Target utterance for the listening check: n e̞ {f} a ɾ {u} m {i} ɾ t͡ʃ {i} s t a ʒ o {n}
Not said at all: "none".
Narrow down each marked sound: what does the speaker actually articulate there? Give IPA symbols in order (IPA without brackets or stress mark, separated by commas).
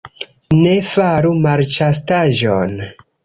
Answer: f, u, a, a, n